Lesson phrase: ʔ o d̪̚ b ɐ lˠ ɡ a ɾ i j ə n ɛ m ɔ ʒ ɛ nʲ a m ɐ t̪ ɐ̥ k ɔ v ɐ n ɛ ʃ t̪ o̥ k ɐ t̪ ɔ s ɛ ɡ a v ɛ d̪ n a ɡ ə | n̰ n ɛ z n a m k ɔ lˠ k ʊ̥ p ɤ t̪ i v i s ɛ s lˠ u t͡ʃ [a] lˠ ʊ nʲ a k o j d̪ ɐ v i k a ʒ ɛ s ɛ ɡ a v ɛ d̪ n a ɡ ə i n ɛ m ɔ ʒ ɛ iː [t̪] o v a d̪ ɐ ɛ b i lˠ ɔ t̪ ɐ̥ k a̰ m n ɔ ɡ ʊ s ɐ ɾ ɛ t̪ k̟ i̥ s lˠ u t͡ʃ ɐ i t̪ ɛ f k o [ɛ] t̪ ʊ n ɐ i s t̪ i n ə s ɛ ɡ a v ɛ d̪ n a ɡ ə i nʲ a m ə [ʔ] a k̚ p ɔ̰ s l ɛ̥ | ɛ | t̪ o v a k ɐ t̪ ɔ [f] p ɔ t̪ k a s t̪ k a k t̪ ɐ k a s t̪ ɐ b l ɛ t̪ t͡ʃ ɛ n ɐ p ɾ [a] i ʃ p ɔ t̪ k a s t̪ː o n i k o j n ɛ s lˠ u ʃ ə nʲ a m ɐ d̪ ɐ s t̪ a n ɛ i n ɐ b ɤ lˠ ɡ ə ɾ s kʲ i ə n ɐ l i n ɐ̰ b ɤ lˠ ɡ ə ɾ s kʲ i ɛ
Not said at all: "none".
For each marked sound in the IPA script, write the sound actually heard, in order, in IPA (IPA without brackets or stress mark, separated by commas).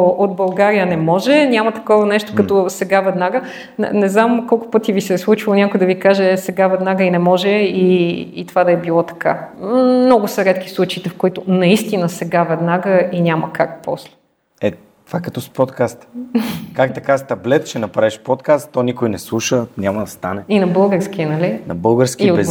i, t̪, i, k, s, a